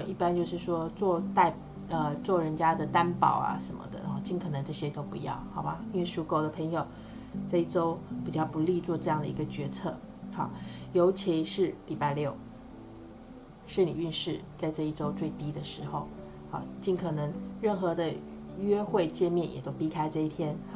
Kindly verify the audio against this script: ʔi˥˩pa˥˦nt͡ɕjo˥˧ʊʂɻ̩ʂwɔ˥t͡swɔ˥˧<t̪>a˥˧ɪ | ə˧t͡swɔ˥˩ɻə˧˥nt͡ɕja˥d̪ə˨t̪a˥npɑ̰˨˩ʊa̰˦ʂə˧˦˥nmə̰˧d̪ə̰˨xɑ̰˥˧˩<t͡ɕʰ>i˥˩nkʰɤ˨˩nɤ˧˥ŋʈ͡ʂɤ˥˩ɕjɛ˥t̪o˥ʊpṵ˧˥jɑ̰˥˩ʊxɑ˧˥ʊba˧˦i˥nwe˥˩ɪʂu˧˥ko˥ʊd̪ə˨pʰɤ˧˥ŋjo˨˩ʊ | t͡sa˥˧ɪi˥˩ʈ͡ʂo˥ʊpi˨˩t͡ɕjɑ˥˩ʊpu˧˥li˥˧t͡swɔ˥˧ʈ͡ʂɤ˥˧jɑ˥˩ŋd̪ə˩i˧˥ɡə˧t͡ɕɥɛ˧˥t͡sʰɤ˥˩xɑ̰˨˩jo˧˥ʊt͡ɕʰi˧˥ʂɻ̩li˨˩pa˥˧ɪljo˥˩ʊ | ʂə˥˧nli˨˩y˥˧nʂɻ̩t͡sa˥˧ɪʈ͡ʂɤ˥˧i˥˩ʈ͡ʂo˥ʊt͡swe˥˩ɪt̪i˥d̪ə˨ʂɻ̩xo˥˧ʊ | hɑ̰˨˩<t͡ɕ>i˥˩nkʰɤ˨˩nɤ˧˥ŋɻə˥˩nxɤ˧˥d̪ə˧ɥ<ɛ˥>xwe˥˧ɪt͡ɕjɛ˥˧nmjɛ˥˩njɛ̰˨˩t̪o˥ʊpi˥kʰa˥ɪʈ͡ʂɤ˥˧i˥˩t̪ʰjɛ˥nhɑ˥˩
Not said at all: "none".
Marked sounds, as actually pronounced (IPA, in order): t̪, t͡ɕ, t͡ɕ, ɛ˥

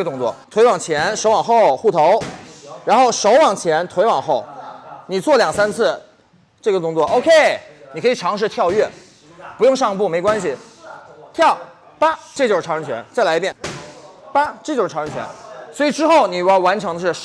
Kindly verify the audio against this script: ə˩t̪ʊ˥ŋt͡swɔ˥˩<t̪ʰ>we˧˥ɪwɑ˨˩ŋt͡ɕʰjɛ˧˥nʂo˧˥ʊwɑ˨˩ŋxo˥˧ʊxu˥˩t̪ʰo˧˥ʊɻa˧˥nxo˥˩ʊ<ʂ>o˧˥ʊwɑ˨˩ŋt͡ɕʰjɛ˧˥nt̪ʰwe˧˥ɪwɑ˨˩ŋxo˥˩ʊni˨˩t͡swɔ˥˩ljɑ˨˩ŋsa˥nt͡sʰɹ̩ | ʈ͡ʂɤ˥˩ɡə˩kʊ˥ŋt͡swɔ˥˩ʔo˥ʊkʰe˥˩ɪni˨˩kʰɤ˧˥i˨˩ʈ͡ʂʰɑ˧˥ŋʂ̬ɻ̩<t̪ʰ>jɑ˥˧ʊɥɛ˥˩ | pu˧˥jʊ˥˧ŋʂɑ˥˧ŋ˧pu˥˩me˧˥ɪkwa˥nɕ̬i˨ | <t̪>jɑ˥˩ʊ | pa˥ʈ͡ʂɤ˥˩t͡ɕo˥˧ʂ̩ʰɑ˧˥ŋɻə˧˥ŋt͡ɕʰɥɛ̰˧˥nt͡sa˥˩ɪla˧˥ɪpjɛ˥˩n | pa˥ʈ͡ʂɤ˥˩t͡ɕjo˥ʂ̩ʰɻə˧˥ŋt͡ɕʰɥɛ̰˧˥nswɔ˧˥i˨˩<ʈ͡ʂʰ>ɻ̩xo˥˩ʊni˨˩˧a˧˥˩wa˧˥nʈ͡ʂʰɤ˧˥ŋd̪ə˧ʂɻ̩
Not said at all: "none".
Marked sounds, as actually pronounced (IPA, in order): t̪ʰ, ʂ, t̪ʰ, t̪ʰ, ʈ͡ʂ

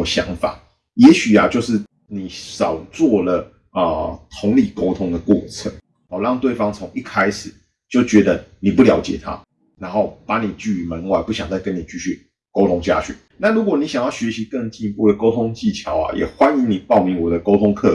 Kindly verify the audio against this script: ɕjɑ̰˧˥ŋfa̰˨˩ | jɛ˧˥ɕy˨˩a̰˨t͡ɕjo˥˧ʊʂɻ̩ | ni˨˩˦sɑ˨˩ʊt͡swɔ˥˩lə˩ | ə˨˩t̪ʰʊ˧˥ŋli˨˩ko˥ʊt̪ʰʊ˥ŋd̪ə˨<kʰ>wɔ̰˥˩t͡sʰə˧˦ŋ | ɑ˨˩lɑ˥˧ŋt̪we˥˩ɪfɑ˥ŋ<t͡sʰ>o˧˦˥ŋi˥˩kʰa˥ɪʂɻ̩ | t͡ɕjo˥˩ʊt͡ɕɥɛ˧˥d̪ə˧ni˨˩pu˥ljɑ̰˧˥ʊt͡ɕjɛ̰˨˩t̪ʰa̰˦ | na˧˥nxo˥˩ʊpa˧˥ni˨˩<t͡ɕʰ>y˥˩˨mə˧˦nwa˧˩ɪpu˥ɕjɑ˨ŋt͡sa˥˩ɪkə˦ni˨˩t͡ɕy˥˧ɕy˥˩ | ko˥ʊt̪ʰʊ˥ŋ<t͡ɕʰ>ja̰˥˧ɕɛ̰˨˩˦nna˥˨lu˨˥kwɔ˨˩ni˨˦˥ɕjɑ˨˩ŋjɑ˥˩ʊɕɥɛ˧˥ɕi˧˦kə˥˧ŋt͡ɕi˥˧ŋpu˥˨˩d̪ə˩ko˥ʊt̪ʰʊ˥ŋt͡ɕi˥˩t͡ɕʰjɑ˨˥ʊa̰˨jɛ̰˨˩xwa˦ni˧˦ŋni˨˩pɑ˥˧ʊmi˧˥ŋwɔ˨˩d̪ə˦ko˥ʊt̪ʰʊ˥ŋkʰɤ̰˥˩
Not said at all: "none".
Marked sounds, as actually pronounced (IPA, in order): k, t͡sʰ, t͡ɕ, t͡ɕ

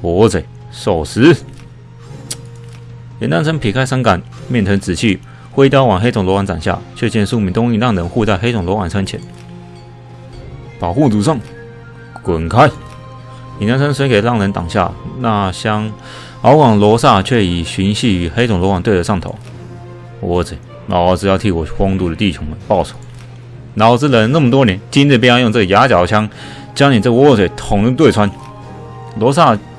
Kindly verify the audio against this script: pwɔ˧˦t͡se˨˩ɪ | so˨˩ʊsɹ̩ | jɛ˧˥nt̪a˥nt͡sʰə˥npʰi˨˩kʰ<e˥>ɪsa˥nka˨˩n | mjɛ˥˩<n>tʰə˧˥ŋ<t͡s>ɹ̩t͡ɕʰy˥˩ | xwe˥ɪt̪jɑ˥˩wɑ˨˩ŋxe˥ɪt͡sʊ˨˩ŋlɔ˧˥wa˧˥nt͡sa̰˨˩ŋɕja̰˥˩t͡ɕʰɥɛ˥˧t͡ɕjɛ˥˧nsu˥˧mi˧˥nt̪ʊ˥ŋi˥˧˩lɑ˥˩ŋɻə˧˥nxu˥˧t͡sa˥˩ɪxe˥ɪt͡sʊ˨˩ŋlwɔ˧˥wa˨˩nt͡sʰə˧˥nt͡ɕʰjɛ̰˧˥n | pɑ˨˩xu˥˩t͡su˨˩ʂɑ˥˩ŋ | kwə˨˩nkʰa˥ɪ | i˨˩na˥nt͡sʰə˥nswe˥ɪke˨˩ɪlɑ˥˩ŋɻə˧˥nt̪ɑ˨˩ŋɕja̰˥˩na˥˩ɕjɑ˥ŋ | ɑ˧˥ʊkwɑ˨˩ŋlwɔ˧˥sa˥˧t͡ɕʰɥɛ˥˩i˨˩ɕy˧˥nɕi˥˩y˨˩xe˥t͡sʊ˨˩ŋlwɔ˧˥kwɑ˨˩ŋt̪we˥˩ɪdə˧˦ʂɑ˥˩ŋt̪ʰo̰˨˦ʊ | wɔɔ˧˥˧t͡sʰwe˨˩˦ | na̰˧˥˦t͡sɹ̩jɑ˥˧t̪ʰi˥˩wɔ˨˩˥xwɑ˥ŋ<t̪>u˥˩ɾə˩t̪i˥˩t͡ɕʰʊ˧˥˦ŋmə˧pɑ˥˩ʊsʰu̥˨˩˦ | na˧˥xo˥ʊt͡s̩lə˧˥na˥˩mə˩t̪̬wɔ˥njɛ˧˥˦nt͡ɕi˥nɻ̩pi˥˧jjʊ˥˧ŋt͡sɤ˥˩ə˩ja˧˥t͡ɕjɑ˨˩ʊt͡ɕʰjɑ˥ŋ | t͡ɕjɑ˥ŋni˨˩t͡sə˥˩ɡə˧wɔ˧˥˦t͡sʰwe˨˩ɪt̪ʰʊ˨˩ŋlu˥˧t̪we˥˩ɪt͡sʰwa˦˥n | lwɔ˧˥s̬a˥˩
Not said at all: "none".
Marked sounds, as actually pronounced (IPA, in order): a˥, n, t͡s, t̪

